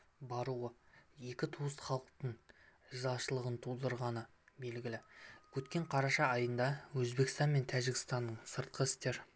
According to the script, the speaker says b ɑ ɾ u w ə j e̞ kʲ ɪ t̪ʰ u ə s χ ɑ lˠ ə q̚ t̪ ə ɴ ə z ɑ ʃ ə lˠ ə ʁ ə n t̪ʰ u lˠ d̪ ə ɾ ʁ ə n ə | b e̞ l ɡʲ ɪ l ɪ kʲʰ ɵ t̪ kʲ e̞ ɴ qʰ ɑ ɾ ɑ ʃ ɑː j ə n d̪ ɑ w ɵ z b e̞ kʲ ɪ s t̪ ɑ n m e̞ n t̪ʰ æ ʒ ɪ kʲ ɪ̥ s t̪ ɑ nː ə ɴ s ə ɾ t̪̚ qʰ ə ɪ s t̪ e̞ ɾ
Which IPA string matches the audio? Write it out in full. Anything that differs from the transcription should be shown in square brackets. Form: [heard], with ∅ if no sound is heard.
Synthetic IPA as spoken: b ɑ ɾ u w ə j e̞ kʲ ɪ t̪ʰ u ə s χ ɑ lˠ ə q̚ t̪ ə ɴ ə z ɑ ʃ ə lˠ ə ʁ ə n t̪ʰ u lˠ d̪ ə ɾ ʁ [ɑ] n ə | b e̞ l ɡʲ ɪ l ɪ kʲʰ ɵ t̪ kʲ e̞ ɴ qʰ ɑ ɾ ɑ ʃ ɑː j ə n d̪ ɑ w ɵ z b e̞ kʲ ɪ s t̪ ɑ n m e̞ n t̪ʰ æ ʒ ɪ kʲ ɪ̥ s t̪ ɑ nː ə ɴ s ə ɾ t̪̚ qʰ ə ɪ s t̪ e̞ ɾ